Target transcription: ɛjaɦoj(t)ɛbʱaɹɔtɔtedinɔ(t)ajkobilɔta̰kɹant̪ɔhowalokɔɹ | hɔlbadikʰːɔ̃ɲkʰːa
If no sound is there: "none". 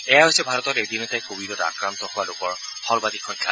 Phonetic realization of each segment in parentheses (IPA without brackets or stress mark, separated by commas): s, t